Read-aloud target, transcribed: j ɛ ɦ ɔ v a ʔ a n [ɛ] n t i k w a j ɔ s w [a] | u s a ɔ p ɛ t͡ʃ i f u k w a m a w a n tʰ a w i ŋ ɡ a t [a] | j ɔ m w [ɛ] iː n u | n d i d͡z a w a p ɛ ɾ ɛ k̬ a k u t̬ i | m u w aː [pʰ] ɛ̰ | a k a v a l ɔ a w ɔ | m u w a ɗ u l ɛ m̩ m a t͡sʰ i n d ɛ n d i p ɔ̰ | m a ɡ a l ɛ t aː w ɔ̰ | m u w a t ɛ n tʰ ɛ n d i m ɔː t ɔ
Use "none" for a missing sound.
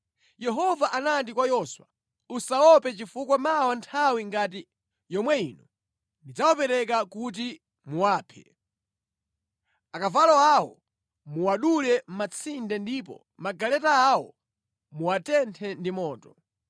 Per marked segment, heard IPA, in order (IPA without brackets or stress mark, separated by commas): a, a, i, ɛ, pʰ